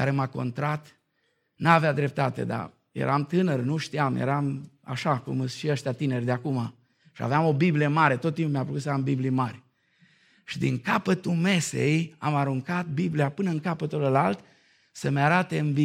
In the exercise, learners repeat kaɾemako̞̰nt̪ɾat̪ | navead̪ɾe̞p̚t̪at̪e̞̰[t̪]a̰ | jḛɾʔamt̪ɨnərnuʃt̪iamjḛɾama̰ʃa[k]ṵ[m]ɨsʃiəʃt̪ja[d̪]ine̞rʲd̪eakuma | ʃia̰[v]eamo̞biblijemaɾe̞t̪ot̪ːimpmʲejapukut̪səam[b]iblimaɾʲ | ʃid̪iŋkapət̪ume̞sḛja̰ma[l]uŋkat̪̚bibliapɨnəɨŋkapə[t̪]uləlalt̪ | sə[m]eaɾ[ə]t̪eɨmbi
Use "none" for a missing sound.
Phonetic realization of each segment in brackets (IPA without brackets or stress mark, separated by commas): d̪, k, m, t̪, v, b, ɾ, t̪, m, a